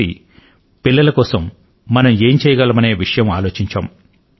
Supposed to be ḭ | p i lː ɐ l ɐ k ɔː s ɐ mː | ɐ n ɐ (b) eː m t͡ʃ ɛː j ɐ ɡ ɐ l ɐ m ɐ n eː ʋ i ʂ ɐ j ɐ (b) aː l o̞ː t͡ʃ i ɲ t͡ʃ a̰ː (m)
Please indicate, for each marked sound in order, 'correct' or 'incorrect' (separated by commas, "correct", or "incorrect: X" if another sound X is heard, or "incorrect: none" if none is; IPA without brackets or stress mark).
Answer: incorrect: m, incorrect: m, correct